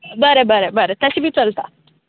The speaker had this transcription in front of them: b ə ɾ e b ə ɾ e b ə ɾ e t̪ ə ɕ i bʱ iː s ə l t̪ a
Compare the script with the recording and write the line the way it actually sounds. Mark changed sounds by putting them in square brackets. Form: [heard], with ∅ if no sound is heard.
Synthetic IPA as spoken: b ə ɾ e b ə ɾ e b ə ɾ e t̪ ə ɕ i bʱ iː [t͡s] ə l t̪ a